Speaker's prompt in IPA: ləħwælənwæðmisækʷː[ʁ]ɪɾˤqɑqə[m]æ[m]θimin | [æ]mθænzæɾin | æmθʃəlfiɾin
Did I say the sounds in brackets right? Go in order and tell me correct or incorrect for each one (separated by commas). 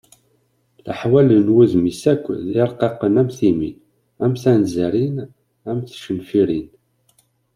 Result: incorrect, incorrect, correct, correct